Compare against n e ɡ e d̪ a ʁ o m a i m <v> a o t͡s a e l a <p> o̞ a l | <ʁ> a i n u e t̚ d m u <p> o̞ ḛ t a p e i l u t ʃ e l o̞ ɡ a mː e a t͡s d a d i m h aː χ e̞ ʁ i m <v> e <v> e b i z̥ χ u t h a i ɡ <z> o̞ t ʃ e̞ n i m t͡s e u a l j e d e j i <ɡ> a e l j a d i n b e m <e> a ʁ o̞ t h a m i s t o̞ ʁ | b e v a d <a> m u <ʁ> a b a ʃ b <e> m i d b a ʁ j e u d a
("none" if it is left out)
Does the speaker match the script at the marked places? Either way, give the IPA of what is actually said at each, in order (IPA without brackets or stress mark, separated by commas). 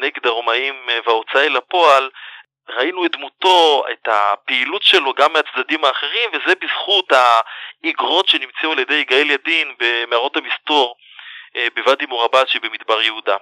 v, p, ʁ, t, v, z, ʁ, ɡ, e, i, ʁ, e